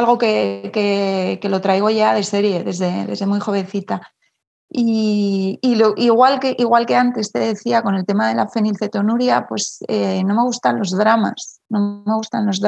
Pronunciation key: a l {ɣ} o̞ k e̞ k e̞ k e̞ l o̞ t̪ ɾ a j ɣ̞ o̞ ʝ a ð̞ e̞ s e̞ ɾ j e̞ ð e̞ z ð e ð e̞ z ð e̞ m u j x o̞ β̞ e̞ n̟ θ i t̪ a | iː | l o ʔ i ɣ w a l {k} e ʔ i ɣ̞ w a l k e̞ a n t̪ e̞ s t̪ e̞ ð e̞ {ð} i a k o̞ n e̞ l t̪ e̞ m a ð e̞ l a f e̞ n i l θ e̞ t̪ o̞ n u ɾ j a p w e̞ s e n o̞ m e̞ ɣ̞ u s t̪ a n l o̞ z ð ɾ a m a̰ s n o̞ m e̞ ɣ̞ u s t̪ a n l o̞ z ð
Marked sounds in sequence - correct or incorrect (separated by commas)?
correct, correct, incorrect